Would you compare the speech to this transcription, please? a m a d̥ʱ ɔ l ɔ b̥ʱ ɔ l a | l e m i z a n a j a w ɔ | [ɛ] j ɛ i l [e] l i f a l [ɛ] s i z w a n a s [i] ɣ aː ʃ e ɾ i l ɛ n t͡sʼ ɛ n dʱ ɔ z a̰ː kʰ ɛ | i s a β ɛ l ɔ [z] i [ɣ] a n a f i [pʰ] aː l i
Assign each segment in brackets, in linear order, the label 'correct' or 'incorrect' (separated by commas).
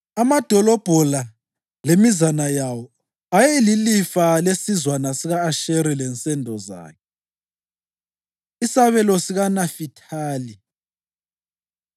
incorrect, incorrect, incorrect, correct, incorrect, correct, incorrect